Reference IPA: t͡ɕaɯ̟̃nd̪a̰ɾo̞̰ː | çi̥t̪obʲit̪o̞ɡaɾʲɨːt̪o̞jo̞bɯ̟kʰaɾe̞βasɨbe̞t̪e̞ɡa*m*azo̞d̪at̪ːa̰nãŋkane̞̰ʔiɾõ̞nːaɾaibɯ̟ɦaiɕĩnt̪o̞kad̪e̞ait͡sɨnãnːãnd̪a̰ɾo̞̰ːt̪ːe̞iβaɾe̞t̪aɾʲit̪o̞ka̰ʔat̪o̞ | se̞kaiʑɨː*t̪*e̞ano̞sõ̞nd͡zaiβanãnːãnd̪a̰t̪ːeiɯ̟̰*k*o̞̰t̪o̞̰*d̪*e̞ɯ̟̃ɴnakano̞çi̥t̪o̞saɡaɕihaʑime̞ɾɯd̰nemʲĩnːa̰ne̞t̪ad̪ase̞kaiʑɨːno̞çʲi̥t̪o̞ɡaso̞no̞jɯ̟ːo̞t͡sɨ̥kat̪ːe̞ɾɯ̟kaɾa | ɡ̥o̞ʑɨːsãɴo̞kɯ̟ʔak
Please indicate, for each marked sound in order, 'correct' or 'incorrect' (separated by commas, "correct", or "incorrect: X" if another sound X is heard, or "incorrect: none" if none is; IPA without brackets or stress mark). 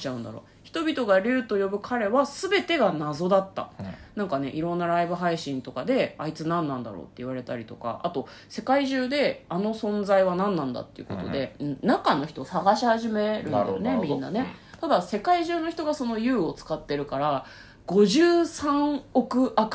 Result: incorrect: n, incorrect: d̪, correct, correct